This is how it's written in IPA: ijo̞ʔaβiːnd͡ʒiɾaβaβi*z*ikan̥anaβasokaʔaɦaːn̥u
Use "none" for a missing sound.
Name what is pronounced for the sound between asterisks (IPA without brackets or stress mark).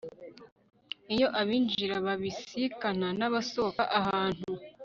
s